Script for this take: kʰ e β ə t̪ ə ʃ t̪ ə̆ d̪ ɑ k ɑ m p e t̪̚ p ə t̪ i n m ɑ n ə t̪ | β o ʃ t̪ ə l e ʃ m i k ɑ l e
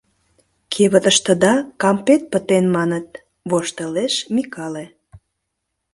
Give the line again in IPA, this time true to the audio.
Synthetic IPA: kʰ e β ə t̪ ə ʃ t̪ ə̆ d̪ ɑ k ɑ m p e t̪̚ p ə t̪ e n m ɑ n ə t̪ | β o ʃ t̪ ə l e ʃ m i k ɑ l e